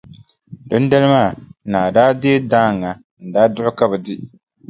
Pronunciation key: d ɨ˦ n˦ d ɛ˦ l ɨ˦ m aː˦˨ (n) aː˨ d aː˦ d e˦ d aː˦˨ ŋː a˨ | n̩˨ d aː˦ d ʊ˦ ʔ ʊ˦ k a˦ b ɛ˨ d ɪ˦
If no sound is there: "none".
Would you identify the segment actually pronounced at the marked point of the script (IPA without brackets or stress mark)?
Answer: n